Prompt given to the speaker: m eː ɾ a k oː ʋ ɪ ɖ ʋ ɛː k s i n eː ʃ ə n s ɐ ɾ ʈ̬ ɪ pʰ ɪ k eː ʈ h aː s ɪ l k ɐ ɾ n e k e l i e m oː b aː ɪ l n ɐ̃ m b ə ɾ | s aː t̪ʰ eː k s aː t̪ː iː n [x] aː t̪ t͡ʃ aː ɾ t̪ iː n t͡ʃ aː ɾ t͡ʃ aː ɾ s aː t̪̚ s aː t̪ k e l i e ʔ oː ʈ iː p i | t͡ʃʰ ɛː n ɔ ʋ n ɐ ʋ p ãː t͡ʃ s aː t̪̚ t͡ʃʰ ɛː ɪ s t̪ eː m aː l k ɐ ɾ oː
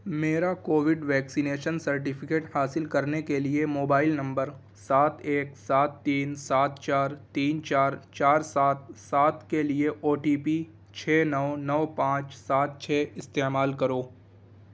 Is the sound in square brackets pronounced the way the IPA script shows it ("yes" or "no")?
no